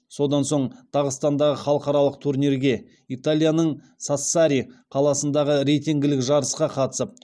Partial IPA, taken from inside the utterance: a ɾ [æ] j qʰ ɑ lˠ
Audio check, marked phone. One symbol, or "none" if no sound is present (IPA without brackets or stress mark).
i